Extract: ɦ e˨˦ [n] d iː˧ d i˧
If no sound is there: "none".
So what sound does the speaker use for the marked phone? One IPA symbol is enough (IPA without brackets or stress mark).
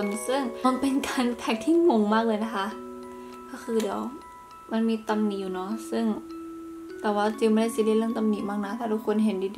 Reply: n